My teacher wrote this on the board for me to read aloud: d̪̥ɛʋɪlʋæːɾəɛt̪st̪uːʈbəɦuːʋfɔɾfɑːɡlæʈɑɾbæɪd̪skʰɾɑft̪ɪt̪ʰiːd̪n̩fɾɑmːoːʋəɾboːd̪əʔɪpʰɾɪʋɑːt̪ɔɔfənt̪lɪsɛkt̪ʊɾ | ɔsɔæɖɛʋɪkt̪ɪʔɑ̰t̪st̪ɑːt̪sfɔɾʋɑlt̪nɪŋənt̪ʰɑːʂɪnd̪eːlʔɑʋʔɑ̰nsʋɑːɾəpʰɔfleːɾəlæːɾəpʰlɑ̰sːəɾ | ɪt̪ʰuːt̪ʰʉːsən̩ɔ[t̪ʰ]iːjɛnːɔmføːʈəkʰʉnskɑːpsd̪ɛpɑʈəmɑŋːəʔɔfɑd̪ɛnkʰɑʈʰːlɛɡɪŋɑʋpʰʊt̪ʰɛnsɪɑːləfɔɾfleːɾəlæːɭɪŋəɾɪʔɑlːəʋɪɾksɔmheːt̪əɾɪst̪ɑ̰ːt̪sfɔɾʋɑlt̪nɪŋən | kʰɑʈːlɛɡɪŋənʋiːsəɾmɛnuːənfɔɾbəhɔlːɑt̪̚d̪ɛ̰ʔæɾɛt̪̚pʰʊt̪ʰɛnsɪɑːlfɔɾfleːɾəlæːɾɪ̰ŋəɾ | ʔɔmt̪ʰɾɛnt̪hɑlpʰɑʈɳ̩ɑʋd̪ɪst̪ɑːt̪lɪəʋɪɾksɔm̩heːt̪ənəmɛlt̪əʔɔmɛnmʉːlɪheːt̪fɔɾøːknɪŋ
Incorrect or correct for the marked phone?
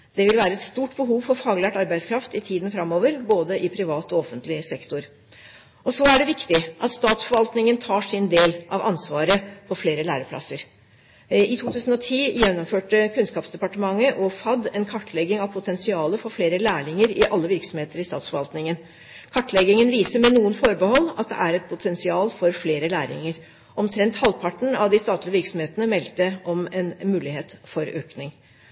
correct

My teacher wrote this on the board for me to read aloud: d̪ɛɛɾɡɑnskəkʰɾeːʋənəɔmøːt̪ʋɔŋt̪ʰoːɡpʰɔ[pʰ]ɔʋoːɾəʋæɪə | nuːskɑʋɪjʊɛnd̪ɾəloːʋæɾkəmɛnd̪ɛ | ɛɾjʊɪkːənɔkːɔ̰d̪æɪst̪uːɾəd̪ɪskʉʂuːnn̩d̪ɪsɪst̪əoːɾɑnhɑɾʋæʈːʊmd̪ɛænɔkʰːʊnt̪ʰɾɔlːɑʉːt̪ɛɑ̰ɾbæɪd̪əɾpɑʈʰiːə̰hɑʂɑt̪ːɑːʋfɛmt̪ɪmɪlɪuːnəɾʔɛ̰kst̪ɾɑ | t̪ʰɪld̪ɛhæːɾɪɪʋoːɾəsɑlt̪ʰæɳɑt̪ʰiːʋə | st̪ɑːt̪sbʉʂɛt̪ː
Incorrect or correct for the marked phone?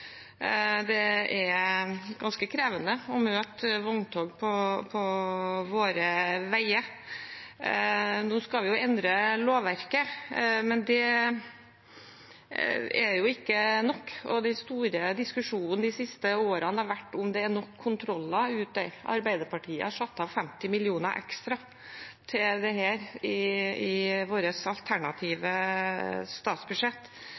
correct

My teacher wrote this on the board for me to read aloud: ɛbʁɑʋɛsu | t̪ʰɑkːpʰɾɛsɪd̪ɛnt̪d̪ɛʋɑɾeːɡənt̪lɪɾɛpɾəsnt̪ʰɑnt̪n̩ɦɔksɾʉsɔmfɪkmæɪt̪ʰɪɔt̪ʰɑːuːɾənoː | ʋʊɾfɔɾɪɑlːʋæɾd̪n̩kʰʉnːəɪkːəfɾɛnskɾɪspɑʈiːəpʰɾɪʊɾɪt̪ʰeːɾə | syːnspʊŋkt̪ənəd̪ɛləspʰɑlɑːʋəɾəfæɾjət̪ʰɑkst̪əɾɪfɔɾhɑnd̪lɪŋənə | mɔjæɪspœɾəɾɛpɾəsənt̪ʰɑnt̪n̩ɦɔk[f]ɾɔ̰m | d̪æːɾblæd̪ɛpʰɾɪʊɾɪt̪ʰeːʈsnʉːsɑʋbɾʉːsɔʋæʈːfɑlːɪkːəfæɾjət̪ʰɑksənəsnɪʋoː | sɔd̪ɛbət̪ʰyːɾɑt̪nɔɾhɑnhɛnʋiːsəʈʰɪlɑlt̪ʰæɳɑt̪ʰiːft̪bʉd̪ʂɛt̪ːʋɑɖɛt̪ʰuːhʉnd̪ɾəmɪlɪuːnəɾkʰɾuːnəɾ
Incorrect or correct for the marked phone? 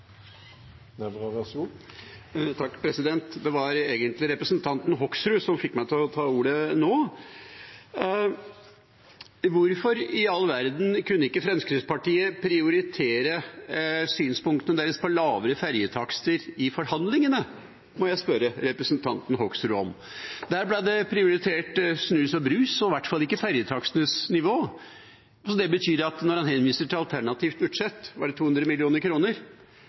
incorrect: s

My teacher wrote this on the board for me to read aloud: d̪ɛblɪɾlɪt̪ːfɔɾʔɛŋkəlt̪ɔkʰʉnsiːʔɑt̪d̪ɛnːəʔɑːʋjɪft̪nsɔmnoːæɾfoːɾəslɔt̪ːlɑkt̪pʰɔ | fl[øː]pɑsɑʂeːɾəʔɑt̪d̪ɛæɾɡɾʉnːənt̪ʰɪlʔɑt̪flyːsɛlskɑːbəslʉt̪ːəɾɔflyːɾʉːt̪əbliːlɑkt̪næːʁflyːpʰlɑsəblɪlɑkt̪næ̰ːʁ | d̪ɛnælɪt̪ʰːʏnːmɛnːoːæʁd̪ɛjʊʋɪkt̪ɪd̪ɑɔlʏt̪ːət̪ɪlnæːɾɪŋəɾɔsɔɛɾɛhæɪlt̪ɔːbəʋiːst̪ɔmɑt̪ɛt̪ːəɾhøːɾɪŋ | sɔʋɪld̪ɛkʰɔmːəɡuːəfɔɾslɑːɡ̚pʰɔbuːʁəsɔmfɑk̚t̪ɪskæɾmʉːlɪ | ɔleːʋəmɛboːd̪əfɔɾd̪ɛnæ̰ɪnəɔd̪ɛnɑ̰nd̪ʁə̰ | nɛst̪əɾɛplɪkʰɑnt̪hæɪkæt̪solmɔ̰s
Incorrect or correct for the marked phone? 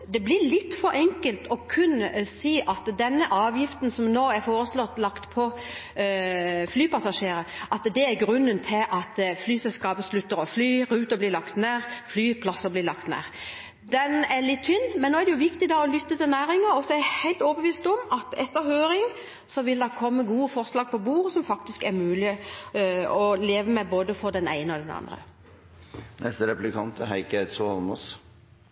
incorrect: yː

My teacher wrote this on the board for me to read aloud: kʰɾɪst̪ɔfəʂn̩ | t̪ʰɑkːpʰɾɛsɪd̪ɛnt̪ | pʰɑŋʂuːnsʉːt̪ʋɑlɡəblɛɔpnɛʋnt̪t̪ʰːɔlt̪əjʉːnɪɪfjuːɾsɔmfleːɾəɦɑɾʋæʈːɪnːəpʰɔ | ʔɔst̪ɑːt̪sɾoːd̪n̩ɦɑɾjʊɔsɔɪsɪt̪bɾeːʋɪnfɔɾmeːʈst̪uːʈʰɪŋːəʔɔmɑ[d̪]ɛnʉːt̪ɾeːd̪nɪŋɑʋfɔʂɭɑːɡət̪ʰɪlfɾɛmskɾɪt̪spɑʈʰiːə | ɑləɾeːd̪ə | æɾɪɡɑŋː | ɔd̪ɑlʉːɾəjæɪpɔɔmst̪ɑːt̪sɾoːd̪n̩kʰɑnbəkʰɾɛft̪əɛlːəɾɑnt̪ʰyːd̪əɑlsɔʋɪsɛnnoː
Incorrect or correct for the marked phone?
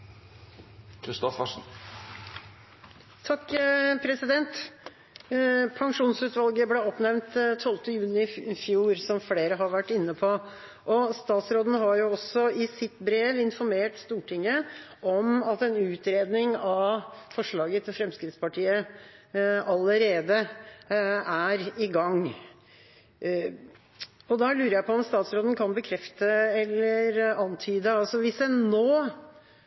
incorrect: t̪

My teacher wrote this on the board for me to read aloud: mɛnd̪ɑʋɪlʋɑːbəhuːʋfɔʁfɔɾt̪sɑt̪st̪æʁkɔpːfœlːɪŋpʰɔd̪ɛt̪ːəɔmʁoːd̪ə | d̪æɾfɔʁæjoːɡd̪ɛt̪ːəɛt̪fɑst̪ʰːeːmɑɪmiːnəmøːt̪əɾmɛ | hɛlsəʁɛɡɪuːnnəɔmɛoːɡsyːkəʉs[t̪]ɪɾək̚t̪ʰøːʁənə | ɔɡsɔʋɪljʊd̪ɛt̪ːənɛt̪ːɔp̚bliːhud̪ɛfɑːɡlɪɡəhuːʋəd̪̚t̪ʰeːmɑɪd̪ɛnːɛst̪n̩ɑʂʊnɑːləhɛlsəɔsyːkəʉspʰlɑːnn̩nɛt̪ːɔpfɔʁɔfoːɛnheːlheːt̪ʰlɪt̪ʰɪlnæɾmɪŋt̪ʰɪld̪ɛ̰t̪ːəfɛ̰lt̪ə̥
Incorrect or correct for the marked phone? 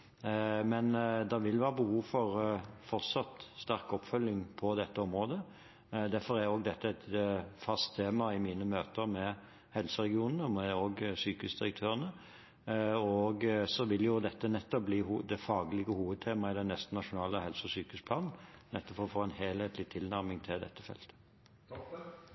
incorrect: d̪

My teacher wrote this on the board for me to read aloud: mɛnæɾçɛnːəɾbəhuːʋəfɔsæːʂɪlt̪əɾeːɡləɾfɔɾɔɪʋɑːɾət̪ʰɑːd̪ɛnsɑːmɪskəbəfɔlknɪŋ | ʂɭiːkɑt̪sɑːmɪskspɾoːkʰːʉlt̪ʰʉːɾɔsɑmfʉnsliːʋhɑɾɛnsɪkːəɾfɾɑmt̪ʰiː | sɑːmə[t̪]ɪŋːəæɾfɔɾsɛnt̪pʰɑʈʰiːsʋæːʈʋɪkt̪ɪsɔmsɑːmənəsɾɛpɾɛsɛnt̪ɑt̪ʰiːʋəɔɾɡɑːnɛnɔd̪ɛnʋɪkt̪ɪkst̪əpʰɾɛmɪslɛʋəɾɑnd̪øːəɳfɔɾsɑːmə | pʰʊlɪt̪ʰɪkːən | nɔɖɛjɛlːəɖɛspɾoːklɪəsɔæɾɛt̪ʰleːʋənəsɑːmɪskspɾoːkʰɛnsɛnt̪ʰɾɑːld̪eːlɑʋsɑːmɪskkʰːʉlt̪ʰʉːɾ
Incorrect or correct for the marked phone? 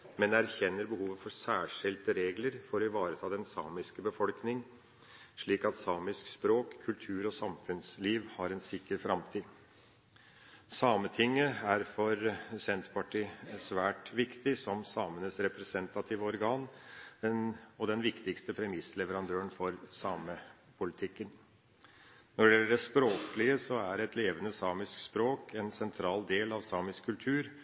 incorrect: t̪ʰ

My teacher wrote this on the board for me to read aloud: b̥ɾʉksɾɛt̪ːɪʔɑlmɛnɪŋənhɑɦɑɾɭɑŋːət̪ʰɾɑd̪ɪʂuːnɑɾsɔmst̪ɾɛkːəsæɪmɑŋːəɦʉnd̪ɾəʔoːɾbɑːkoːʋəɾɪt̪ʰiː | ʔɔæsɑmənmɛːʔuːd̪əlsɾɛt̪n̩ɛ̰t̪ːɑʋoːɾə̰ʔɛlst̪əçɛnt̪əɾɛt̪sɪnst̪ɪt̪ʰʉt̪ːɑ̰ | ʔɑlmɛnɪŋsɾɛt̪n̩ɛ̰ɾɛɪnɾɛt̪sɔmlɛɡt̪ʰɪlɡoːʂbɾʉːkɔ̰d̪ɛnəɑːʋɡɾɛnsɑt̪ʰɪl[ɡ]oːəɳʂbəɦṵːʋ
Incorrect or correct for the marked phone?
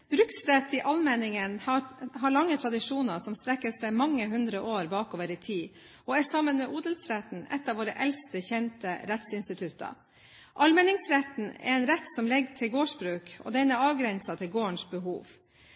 correct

